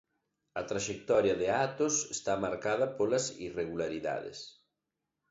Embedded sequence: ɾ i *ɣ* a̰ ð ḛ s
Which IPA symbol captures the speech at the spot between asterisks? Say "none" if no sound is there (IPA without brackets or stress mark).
ð